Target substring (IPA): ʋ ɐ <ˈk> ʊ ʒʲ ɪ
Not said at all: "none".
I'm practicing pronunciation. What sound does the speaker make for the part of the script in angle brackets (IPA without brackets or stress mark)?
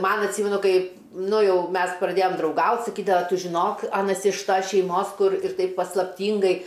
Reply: t